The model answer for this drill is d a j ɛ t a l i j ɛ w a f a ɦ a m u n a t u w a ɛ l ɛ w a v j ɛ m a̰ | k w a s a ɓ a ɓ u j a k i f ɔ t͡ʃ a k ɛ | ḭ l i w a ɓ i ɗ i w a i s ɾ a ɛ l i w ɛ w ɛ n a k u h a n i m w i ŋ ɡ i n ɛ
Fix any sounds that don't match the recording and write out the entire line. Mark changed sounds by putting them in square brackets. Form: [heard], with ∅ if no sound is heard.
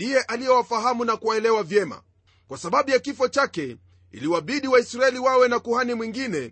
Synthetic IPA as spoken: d [i] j ɛ [ʔ] a l i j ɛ w a f a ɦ a m u n a [k] u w a ɛ l ɛ w a v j ɛ m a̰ | k w a s a ɓ a ɓ u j a k i f ɔ t͡ʃ a k ɛ | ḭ l i w a ɓ i ɗ i w a i s ɾ a ɛ l i w [a] w ɛ n a k u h a n i m w i ŋ ɡ i n ɛ